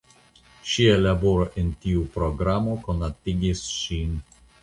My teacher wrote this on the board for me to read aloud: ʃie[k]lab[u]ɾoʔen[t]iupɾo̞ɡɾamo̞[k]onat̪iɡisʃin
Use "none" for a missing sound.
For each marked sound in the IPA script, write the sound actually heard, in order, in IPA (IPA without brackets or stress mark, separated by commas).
none, o, t, k